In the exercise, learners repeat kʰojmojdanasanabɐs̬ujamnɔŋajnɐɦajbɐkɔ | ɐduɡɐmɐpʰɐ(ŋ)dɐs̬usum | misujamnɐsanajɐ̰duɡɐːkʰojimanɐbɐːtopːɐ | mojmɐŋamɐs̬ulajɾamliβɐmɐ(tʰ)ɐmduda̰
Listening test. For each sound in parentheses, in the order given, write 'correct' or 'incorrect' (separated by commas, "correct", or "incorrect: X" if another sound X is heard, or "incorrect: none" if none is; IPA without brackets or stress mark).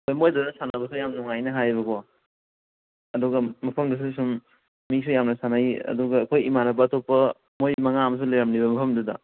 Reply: incorrect: m, incorrect: pʰ